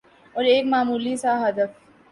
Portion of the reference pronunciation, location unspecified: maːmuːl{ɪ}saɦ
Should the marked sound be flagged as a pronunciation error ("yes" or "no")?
yes